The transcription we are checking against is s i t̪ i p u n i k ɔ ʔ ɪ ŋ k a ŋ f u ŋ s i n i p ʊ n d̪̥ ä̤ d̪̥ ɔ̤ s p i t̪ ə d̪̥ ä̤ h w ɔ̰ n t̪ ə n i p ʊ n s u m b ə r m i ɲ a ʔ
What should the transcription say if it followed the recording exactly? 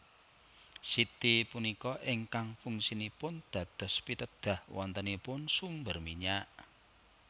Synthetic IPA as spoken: s i t̪ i p u n i k ɔ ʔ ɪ ŋ k a ŋ f u ŋ s i n i p ʊ n d̪̥ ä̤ d̪̥ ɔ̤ s p i t̪ ə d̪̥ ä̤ h w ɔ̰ n t̪ ə n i p ʊ n s u m b ə r m i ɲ a ʔ